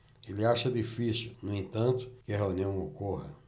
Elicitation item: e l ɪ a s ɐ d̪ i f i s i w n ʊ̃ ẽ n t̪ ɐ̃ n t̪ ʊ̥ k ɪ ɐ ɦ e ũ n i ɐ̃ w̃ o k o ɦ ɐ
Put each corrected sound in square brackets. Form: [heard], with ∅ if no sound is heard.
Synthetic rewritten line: e l ɪ a [ʃ] ɐ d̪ i f i s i w n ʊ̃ ẽ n t̪ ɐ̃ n t̪ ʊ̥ k ɪ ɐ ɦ e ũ n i ɐ̃ w̃ o k o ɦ ɐ